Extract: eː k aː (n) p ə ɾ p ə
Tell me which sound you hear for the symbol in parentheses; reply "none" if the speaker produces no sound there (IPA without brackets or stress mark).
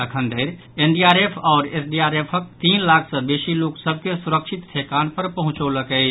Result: n